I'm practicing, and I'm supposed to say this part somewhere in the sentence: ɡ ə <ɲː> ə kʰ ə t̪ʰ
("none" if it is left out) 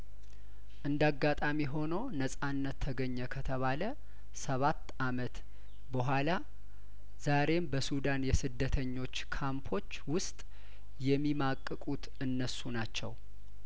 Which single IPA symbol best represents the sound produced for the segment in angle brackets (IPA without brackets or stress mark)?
ɲː